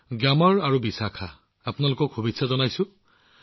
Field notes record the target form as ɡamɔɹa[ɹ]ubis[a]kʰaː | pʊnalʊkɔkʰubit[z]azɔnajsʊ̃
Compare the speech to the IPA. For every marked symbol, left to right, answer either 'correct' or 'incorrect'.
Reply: correct, correct, incorrect: s

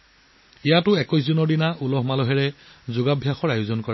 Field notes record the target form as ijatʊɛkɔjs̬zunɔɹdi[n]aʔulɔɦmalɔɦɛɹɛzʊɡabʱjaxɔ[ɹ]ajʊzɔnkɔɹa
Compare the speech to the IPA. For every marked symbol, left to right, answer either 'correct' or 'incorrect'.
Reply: correct, correct

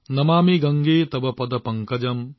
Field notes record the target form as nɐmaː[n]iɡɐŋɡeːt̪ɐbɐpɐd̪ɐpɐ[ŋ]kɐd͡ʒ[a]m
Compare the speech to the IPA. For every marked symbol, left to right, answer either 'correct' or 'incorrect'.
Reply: incorrect: m, correct, incorrect: ɐ

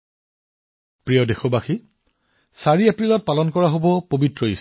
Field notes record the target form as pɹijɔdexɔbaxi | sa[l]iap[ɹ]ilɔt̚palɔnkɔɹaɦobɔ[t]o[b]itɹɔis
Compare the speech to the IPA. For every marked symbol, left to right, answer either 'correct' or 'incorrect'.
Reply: incorrect: ɹ, correct, incorrect: p, correct

